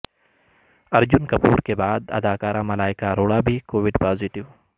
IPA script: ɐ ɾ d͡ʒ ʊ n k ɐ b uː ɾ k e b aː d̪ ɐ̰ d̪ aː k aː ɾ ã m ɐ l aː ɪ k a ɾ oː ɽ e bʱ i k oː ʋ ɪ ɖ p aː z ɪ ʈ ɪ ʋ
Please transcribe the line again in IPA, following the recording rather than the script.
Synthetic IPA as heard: ɐ ɾ d͡ʒ ʊ n k ɐ p uː ɾ k e b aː d̪ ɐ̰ d̪ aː k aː ɾ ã m ɐ l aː ɪ k a ɾ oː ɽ a bʱ i k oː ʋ ɪ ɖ p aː z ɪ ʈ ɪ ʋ